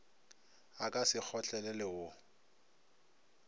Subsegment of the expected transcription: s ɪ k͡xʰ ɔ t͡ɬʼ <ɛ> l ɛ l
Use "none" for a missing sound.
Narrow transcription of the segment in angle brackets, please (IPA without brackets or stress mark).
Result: ɛ